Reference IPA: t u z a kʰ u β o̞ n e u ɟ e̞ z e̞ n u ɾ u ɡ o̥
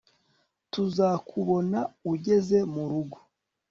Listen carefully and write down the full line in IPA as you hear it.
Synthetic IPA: t u z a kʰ u β o̞ n a u ɟ e̞ z e̞ m u ɾ u ɡ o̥